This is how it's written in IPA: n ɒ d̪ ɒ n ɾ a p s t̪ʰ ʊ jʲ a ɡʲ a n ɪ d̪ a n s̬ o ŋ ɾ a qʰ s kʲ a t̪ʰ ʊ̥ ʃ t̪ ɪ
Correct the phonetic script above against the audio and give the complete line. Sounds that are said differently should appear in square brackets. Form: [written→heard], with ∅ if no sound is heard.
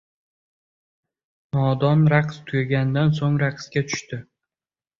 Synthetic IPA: n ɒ d̪ ɒ n ɾ a [p→q] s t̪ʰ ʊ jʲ a ɡʲ a n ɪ d̪ a n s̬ o ŋ ɾ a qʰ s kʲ a t̪ʰ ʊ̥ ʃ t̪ ɪ